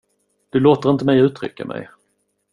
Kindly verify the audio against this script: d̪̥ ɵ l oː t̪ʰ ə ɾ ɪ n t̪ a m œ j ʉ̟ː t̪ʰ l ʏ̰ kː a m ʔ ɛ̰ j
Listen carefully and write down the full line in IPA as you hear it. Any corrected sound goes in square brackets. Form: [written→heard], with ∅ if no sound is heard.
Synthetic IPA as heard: d̪̥ ɵ l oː [t̪ʰ→t̪] ə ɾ ɪ n t̪ [a→ə] m [œ→ɛ] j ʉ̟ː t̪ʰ [l→ɾ] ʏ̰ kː a m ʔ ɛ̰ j

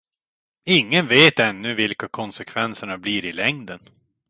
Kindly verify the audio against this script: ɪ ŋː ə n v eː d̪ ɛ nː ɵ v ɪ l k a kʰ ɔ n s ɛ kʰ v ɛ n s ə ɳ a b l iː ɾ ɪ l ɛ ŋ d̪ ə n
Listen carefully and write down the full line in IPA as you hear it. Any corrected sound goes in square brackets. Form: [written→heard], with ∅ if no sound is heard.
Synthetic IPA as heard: ɪ ŋː ə n v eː [d̪→t̪] ɛ nː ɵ v ɪ l k a kʰ ɔ n s ɛ kʰ v ɛ n s ə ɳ a b l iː ɾ ɪ l ɛ ŋ d̪ ə n

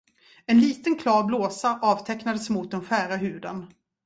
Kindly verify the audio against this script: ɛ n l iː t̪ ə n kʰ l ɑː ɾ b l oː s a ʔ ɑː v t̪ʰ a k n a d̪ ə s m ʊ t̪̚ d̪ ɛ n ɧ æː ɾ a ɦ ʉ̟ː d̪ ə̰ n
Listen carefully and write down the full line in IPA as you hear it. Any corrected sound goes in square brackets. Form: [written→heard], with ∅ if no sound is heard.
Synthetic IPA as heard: ɛ n l iː t̪ ə n kʰ l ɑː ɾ b l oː s a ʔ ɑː v t̪ʰ [a→ɛ] k n a d̪ ə s m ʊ t̪̚ d̪ ɛ n ɧ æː ɾ a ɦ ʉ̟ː d̪ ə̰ n

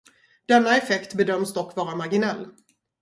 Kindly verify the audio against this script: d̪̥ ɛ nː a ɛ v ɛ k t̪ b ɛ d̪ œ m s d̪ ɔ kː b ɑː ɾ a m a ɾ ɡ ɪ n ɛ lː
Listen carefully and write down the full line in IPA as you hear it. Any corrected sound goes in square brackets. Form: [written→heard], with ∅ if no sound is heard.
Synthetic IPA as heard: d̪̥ ɛ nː a ɛ [v→f] ɛ k t̪ b ɛ d̪ œ m s d̪ ɔ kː [b→v] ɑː ɾ a m a ɾ ɡ ɪ n ɛ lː

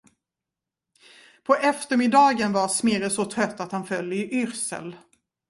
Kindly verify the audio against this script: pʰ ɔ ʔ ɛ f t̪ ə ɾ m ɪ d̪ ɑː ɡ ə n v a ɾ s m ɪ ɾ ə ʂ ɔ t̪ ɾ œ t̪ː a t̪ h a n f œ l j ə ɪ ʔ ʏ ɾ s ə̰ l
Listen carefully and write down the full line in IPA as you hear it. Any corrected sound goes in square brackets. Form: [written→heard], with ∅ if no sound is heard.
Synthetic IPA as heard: pʰ ɔ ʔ ɛ f t̪ ə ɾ m ɪ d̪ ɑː ɡ ə n v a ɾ s m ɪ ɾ ə [ʂ→s] ɔ [t̪→t̪ʰ] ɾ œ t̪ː a t̪ h a n f œ l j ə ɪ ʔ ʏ ɾ s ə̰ l

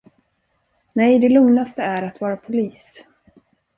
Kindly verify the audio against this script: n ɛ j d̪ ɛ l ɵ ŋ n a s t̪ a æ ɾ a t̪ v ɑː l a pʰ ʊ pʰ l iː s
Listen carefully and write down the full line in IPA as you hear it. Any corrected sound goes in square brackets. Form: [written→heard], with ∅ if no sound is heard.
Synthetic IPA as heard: n ɛ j d̪ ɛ l ɵ ŋ n a s t̪ [a→ə] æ ɾ a t̪ v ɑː [l→ɾ] a pʰ ʊ [pʰ→∅] l iː s

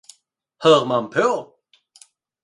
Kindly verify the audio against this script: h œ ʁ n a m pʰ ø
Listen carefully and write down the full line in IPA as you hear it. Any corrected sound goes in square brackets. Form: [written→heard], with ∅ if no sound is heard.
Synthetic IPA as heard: h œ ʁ [n→m] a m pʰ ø

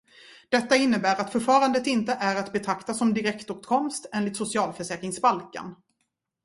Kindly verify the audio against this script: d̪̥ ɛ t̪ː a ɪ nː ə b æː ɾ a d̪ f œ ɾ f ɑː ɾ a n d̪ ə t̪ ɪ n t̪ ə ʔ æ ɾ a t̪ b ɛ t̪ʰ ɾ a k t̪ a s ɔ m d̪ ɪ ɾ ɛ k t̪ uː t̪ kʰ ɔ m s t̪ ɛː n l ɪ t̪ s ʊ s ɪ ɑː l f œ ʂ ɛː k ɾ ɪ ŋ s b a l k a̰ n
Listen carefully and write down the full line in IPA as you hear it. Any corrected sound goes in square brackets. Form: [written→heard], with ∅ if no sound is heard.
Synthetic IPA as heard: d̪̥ ɛ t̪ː a ɪ nː ə b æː ɾ a [d̪→t̪] f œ ɾ f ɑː ɾ a n d̪ ə t̪ ɪ n t̪ ə ʔ æ ɾ a t̪ b ɛ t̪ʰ ɾ a k t̪ a s ɔ m d̪ ɪ ɾ ɛ k t̪ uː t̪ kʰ ɔ m s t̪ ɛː n l ɪ t̪ s ʊ s ɪ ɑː l f œ ʂ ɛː k ɾ ɪ ŋ s b a l k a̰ n

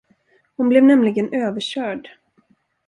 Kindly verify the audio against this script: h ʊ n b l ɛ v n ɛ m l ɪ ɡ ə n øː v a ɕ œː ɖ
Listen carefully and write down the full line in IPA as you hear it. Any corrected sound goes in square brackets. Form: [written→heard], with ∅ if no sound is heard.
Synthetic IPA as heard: h ʊ n b l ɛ v n ɛ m l ɪ ɡ ə n øː v [a→ə] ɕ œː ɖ

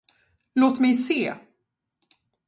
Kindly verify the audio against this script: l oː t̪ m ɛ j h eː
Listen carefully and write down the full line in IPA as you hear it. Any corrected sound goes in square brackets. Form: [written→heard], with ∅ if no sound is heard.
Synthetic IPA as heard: l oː t̪ m ɛ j [h→s] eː

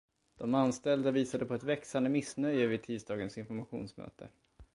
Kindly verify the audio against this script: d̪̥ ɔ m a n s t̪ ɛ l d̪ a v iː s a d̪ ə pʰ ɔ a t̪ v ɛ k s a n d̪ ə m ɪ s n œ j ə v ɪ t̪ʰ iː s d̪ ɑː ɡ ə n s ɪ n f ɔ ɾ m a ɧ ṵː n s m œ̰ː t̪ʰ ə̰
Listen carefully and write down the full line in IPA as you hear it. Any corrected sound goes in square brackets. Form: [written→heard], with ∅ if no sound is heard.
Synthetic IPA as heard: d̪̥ ɔ m a n s t̪ ɛ l d̪ a v iː s a d̪ ə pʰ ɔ [a→ɛ] t̪ v ɛ k s a n d̪ ə m ɪ s n œ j ə v ɪ t̪ʰ iː s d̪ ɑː ɡ ə n s ɪ n f ɔ ɾ m a ɧ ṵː n s m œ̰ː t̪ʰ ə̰

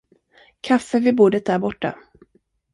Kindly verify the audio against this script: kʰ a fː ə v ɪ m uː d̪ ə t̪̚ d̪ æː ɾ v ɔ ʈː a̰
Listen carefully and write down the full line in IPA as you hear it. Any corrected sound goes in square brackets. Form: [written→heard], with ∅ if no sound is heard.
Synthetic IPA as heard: kʰ a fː ə v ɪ [m→b] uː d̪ ə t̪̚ d̪ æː ɾ [v→b] ɔ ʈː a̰

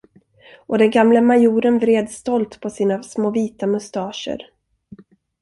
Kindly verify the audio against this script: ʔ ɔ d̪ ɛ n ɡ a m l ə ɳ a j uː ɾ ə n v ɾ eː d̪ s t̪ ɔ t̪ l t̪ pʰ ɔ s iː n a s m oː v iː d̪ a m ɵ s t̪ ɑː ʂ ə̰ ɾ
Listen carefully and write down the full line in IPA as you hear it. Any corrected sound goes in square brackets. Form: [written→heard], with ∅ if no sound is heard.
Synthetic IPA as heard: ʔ ɔ d̪ ɛ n ɡ a m l ə [ɳ→m] a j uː ɾ ə n v ɾ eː d̪ s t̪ ɔ [t̪→∅] l t̪ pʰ ɔ s iː n a s m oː v iː [d̪→t̪] a m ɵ s t̪ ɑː ʂ ə̰ ɾ

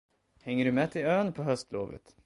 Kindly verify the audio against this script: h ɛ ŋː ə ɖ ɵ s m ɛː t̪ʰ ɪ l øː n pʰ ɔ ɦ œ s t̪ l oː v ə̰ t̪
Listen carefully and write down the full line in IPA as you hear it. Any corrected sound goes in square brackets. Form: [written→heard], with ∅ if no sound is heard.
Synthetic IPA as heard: h ɛ ŋː ə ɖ ɵ [s→∅] m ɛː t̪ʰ ɪ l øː n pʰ ɔ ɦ œ s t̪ l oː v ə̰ t̪

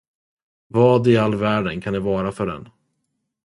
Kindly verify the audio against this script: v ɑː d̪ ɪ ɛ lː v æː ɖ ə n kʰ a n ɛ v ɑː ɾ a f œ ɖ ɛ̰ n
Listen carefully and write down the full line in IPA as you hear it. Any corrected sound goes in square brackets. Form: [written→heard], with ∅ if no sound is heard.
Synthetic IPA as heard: v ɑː d̪ ɪ [ɛ→a] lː v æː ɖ ə n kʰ a n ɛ v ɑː ɾ a f œ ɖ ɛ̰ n

